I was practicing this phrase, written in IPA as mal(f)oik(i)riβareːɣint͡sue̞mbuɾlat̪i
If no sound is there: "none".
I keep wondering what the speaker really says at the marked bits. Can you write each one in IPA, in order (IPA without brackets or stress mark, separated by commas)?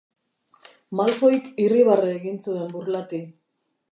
f, i